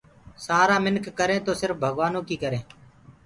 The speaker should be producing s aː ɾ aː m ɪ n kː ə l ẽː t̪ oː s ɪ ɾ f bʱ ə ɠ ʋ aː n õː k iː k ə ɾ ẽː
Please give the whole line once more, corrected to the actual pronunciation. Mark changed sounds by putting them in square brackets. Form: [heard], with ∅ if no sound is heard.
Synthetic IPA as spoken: s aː ɾ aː m ɪ n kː ə [ɾ] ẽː t̪ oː s ɪ ɾ f bʱ ə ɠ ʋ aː n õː k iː k ə ɾ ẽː